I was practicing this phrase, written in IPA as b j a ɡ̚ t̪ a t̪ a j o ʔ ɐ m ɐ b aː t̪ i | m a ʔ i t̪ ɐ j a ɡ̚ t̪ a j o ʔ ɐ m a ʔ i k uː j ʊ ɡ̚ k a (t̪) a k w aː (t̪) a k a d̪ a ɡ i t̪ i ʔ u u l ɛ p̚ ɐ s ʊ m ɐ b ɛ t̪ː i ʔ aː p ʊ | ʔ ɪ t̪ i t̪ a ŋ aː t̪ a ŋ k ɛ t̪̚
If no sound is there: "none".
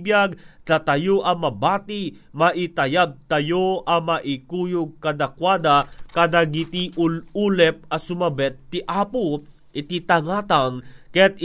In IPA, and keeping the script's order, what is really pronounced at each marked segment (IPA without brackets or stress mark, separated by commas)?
d̪, d̪